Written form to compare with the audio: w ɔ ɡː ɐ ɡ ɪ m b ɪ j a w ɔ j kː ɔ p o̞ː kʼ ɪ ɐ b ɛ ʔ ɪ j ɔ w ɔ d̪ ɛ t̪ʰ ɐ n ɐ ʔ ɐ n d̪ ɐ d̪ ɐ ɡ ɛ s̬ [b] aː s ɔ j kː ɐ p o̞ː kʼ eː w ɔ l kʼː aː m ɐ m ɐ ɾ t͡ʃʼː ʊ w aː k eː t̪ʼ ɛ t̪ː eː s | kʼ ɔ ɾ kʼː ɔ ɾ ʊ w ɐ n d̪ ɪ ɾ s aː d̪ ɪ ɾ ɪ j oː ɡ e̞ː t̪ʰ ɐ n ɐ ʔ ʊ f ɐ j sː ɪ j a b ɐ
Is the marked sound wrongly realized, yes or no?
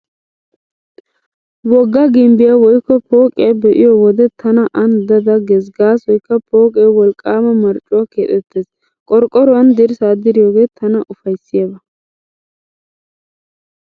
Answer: yes